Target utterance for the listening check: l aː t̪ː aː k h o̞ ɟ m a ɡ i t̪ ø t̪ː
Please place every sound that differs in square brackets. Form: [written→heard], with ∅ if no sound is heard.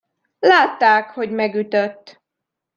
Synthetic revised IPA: l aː t̪ː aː k h o̞ ɟ m [a→ɛ] ɡ [i→y] t̪ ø t̪ː